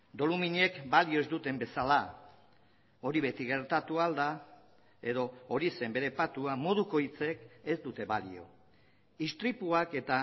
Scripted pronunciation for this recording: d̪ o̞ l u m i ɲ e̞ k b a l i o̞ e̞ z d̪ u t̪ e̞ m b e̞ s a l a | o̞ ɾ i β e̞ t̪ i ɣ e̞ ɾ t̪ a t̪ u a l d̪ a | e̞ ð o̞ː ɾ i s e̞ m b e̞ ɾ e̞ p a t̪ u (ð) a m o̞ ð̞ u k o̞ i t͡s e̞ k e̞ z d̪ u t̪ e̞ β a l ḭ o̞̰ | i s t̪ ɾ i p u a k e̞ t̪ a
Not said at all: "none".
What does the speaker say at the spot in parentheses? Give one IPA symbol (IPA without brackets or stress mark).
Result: none